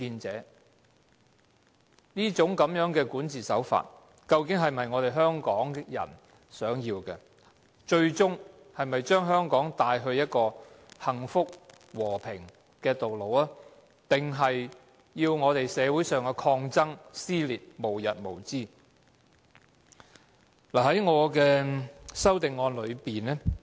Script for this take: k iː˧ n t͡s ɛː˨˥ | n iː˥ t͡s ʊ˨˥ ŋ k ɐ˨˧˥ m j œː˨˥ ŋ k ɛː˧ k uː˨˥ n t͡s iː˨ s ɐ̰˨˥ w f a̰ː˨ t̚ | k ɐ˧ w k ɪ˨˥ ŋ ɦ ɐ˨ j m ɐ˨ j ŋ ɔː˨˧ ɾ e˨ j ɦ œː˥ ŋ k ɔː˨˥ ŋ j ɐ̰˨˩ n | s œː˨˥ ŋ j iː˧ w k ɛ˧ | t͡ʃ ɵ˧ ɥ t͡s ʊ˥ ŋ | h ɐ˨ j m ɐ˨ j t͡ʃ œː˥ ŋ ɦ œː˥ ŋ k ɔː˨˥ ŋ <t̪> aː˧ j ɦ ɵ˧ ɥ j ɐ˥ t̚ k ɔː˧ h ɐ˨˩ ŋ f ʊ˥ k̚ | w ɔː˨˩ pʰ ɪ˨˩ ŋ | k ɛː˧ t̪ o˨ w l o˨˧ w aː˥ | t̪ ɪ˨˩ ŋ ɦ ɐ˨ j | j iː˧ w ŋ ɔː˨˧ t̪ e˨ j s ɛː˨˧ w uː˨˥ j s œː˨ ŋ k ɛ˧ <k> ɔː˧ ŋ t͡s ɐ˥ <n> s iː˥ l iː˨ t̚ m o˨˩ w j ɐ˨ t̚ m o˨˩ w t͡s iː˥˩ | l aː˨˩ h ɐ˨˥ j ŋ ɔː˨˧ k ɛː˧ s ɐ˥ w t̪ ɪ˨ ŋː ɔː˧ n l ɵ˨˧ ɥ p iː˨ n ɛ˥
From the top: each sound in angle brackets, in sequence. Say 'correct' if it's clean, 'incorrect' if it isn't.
correct, incorrect: kʰ, incorrect: ŋ

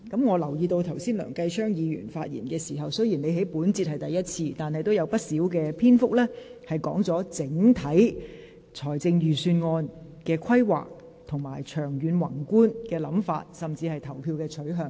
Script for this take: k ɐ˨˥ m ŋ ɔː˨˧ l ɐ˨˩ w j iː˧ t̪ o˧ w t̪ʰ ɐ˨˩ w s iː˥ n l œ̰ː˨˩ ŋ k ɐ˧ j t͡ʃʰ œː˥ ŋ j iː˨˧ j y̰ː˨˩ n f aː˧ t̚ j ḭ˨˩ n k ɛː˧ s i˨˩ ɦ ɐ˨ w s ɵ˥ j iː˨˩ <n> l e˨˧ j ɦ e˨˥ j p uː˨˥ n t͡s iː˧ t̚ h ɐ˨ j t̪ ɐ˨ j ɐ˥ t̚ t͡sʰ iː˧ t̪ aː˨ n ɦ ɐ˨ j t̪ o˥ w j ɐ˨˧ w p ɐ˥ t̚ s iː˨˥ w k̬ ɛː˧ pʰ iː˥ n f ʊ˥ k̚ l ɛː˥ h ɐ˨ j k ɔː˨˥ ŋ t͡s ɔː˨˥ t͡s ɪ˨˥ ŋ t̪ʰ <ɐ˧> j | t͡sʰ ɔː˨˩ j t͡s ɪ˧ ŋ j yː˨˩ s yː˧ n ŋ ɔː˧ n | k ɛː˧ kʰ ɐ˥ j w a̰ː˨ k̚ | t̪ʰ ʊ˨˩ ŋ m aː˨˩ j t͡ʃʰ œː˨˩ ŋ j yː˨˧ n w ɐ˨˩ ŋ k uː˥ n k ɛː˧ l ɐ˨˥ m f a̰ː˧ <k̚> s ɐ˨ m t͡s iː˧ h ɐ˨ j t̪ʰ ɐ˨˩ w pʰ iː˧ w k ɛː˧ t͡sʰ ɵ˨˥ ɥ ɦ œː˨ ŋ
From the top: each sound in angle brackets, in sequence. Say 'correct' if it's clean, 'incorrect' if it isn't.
correct, incorrect: ɐ˨˥, incorrect: t̚

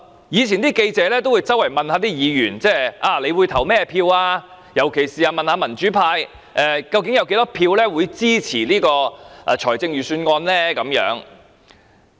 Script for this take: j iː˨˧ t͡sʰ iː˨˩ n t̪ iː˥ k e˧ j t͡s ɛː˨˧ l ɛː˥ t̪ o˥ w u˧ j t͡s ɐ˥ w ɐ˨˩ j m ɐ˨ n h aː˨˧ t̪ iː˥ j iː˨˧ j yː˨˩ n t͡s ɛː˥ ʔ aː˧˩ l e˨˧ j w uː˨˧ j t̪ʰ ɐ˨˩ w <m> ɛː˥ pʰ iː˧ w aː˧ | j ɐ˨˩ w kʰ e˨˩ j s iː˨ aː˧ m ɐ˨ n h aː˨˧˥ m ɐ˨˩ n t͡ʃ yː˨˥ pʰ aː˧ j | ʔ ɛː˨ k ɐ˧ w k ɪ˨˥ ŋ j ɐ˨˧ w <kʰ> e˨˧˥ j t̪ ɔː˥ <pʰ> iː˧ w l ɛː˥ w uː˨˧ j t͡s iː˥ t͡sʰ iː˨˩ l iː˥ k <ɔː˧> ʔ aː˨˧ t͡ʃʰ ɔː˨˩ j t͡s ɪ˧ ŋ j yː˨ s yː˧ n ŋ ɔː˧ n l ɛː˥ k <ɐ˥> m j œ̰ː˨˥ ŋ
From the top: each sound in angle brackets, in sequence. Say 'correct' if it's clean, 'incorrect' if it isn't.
correct, incorrect: k, correct, correct, incorrect: ɐ˨˥

